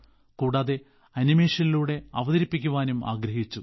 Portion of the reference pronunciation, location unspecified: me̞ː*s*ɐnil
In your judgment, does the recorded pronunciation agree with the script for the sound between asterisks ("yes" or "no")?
no